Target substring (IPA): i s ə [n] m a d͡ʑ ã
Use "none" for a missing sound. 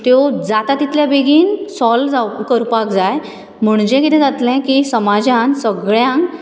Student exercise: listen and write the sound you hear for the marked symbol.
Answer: none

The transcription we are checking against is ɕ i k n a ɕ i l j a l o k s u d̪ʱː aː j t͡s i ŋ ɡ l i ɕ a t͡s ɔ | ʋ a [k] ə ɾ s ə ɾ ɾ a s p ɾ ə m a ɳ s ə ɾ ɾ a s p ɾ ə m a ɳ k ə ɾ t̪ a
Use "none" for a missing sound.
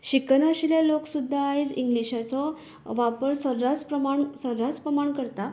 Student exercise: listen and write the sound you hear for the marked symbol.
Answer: p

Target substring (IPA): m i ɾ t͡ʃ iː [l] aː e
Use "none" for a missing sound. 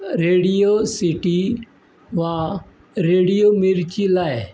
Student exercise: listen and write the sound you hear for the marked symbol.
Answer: l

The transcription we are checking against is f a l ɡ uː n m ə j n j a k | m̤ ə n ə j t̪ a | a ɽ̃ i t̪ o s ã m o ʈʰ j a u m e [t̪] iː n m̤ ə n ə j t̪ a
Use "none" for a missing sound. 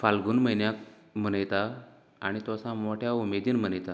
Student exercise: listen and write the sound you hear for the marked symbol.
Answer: d̪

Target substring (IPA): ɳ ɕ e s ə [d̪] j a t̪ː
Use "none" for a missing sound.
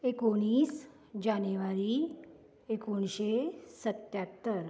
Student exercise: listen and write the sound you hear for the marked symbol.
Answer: t̪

